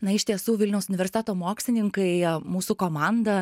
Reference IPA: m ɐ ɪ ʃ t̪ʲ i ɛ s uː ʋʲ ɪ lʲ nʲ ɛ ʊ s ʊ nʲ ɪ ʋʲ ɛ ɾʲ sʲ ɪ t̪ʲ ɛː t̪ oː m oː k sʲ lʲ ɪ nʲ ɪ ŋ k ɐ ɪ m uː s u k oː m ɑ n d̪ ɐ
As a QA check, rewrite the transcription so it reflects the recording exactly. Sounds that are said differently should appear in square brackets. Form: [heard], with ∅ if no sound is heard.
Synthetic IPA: [n] ɐ ɪ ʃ t̪ʲ i ɛ s uː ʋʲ ɪ lʲ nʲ ɛ ʊ s ʊ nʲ ɪ ʋʲ ɛ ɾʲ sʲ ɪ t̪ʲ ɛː t̪ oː m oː k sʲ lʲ ɪ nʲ ɪ ŋ k ɐ ɪ m uː s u k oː m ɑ n d̪ ɐ